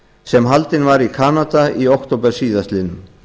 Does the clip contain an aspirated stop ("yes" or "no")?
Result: yes